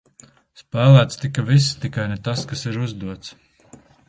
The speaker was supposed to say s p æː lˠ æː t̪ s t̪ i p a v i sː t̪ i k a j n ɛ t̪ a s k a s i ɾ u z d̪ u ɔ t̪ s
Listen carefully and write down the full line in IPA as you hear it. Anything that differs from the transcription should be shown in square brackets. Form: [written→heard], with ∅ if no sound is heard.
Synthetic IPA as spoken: s p æː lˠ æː t̪ s t̪ i [p→k] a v i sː t̪ i k a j n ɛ t̪ a s k a s i ɾ u z d̪ u ɔ t̪ s